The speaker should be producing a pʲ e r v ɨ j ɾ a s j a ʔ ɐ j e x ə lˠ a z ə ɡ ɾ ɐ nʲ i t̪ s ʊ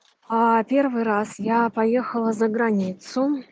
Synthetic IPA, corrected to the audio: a pʲ e r v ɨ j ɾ a s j a p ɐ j e x ə lˠ ə z ə ɡ ɾ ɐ nʲ i t̪ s ʊ